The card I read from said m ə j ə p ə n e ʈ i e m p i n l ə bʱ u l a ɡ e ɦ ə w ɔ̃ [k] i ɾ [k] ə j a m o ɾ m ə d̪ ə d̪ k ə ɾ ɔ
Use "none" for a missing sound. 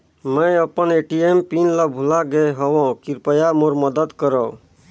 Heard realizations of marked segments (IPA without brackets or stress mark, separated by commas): k, p